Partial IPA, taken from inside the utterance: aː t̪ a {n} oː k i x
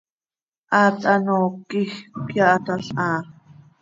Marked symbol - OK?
yes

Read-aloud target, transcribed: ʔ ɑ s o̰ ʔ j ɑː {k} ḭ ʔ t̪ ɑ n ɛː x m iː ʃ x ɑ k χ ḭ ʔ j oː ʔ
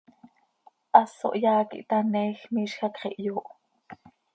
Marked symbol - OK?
yes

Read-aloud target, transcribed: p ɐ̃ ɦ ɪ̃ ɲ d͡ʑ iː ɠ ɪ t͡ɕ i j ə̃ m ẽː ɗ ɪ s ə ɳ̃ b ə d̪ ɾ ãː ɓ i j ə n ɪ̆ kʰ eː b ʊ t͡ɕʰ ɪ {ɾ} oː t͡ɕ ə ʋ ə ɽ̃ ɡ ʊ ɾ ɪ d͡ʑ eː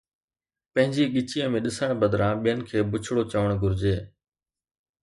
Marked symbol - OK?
no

